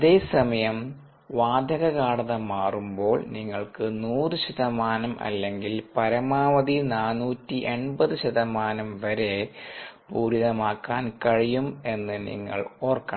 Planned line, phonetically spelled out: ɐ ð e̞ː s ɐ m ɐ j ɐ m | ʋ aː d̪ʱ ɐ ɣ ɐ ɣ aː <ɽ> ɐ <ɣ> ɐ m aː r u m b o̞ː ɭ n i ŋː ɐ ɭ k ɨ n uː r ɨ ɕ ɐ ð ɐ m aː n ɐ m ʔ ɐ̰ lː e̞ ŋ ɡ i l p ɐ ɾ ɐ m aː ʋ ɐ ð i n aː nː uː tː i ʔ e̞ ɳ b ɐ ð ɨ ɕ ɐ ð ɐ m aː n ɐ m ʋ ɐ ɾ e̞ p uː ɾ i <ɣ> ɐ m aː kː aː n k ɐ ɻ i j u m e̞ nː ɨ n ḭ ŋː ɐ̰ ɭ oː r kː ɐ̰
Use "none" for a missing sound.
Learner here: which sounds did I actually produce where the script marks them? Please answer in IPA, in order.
ɽ, ð, ð

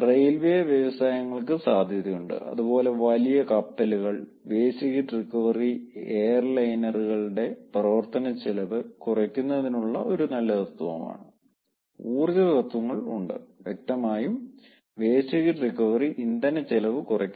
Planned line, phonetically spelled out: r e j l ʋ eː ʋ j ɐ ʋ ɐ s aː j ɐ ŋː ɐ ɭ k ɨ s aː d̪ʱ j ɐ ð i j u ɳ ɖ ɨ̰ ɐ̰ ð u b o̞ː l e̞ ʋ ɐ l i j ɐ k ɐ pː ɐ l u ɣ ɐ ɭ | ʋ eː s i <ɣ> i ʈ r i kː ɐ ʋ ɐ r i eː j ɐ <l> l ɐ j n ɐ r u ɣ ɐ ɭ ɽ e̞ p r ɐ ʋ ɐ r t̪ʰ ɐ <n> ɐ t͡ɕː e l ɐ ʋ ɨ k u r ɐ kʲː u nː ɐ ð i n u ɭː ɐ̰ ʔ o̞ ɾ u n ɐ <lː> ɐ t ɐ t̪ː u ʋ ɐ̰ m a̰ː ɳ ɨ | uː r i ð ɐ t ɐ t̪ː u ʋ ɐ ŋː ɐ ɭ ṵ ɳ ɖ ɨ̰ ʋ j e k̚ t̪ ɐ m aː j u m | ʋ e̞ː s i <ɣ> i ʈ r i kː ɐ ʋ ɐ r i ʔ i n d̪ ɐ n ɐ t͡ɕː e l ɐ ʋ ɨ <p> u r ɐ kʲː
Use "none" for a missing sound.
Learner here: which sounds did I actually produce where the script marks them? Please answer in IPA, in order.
ɣ, r, n, lː, ɣ, k

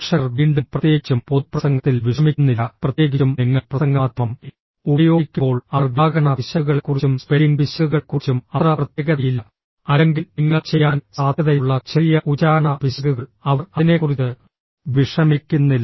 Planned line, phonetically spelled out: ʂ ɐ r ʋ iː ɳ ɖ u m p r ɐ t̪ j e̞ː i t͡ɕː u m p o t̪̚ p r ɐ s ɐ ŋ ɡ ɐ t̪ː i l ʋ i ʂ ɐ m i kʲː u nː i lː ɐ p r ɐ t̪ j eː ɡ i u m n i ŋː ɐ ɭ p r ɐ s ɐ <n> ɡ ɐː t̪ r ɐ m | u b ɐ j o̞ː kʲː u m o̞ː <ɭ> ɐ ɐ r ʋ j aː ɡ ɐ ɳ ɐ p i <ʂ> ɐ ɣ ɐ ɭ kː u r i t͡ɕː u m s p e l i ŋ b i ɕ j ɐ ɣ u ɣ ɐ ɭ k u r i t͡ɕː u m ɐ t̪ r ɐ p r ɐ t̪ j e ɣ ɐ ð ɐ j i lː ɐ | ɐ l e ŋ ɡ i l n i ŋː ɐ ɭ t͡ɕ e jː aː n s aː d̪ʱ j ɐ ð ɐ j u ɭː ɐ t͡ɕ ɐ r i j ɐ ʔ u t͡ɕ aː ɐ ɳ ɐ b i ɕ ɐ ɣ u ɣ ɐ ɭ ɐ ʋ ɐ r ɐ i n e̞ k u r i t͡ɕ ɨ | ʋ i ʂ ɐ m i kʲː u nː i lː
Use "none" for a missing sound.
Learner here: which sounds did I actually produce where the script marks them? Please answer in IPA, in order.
ŋ, ɭ, ɕ

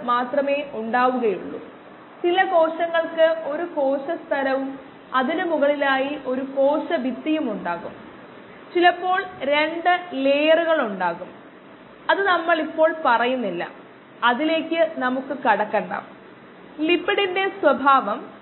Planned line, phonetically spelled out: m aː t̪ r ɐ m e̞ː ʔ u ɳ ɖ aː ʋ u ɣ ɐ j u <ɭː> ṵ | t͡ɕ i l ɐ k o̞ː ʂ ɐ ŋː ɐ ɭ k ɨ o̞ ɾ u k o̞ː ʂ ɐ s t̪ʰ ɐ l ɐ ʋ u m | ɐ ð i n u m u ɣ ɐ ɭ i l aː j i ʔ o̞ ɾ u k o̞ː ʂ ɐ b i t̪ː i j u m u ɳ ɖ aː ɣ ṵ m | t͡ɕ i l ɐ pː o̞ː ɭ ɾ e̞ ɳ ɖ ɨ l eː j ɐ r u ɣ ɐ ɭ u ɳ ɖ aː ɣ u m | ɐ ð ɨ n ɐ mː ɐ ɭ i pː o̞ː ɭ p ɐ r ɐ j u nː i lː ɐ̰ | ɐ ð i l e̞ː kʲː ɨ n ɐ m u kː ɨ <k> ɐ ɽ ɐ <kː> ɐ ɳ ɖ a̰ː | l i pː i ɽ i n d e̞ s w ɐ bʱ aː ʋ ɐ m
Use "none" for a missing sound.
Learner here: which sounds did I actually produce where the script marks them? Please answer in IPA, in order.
ɭː, k, kː

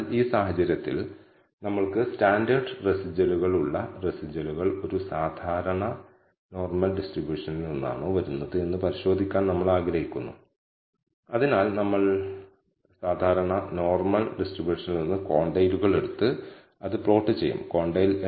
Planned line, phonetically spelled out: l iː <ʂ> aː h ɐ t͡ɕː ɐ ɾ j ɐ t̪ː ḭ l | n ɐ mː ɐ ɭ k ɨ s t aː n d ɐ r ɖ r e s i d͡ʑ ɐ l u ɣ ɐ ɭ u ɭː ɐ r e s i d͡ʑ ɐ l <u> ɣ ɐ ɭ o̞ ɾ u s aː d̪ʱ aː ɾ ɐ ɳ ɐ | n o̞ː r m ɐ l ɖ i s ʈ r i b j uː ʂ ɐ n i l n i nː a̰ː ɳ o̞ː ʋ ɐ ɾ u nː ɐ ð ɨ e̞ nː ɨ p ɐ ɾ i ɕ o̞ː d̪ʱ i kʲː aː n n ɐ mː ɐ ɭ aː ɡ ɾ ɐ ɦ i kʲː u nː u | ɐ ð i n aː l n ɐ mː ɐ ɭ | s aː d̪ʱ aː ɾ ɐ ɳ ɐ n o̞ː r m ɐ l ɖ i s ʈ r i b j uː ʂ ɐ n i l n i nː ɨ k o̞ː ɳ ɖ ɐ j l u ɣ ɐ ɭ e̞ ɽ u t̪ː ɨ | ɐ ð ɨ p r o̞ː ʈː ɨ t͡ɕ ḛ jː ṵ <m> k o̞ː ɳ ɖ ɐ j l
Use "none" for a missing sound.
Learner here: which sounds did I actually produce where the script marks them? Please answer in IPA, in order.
s, u, m

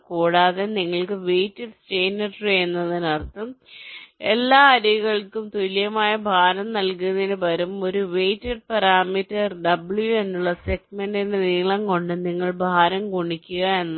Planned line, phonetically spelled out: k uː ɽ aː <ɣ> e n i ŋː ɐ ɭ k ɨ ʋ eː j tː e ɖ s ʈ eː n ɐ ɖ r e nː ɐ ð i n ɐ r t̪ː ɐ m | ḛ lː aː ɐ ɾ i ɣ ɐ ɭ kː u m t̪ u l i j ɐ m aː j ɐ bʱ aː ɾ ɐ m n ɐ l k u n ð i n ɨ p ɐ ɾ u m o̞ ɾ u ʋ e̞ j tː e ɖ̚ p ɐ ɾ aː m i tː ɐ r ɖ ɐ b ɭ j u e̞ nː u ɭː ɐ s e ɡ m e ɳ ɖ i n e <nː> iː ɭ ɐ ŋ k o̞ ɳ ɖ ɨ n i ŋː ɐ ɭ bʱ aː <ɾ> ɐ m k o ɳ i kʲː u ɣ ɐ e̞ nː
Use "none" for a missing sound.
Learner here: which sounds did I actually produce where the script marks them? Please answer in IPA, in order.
ð, n, ɾ

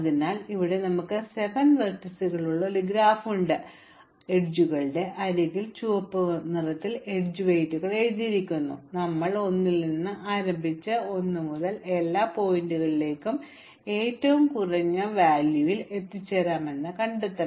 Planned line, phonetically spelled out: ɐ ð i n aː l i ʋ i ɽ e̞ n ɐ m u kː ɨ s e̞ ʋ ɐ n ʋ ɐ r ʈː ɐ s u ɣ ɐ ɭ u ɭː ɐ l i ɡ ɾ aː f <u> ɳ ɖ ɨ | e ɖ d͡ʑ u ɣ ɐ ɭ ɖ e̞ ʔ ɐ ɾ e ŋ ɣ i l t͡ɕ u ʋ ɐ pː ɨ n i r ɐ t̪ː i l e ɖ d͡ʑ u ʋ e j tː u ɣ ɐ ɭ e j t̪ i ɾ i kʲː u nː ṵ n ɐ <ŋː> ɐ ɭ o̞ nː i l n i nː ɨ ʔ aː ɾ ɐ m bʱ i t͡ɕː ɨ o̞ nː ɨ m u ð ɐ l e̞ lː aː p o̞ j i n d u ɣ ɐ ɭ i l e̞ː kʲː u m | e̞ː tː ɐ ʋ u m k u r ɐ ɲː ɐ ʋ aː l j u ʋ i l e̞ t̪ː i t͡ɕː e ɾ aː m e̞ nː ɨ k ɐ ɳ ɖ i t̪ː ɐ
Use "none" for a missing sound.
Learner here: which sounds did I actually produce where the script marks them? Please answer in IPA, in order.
u, mː

